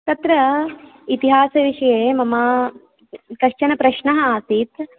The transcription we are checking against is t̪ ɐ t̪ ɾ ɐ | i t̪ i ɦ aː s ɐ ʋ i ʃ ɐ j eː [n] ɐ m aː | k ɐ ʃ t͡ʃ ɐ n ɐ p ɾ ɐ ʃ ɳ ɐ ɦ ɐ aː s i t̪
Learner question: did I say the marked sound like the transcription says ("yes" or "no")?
no